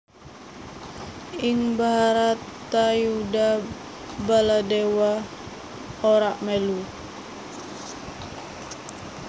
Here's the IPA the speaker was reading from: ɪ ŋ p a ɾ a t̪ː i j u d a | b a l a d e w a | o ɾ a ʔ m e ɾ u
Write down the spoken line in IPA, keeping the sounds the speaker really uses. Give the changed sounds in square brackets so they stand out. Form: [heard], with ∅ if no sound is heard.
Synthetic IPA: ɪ ŋ [b] a ɾ a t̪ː [a] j u d a | b a l a d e w a | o ɾ a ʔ m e [l] u